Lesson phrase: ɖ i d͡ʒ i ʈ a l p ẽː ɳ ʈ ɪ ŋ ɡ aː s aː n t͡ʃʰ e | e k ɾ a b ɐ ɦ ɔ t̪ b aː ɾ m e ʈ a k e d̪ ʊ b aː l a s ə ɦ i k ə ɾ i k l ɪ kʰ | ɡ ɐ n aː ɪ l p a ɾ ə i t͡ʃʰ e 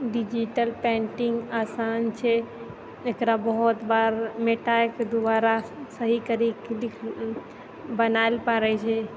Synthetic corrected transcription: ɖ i d͡ʒ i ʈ ə l p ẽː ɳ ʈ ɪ ŋ ɡ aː s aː n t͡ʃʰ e | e k ɾ a b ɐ ɦ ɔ t̪ b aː ɾ m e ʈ a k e d̪ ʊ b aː ɾ a s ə ɦ i k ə ɾ i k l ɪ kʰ | b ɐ n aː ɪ l p a ɾ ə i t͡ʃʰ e